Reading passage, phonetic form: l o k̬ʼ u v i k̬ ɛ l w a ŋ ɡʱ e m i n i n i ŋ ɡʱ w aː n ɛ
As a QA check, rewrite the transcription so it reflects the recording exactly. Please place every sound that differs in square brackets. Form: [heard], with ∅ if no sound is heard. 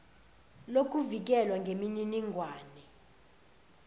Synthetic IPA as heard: l o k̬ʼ u v i k̬ ɛ l w a ŋ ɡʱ e m i n i n i ŋ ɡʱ w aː n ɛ